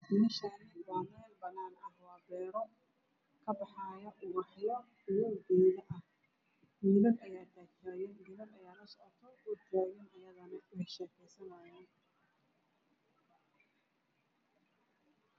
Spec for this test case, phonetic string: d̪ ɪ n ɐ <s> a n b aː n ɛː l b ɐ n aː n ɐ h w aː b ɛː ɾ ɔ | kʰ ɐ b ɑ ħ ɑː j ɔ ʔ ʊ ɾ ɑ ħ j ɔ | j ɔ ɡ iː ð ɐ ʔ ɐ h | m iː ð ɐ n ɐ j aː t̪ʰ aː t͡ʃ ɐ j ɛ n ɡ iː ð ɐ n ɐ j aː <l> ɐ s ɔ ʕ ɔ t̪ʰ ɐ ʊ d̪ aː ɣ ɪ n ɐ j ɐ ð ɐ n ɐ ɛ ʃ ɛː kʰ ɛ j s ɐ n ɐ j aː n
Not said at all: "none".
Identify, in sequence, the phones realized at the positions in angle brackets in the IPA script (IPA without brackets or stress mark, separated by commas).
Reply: ʃ, l